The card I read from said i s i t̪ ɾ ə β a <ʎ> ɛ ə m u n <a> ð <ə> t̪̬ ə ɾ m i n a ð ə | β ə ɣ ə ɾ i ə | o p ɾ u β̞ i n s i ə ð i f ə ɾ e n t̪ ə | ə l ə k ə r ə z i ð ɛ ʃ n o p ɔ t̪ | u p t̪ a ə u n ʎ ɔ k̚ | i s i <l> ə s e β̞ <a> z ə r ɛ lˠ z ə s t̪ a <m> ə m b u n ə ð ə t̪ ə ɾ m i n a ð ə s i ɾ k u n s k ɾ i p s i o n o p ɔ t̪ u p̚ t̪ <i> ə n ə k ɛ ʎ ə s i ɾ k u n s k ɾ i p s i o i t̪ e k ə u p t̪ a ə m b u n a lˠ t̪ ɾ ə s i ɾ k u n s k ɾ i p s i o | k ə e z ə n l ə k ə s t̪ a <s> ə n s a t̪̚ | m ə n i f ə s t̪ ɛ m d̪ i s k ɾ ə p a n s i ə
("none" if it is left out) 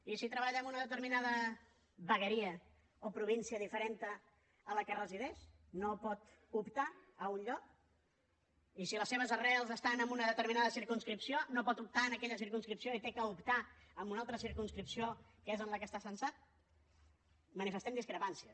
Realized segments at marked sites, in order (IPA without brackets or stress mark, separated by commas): ʎ, ə, ə, l, ə, n, a, s